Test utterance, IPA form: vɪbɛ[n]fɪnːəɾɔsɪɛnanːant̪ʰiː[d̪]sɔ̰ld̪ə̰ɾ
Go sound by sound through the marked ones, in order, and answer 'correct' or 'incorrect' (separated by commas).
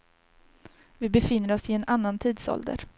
incorrect, correct